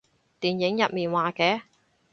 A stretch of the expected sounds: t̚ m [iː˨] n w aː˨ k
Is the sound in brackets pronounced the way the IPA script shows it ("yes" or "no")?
yes